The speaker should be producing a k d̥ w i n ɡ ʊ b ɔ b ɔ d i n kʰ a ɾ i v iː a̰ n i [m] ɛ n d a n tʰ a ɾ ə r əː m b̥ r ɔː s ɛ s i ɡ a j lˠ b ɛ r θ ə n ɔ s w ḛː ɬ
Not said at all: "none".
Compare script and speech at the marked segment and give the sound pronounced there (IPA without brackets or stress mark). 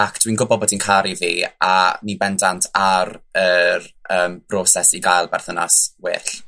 b